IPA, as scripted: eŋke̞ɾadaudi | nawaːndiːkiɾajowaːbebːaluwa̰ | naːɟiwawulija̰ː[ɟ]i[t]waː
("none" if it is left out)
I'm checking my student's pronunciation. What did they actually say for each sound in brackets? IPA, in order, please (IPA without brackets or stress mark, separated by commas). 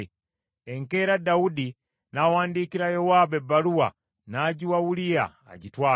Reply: ɟ, t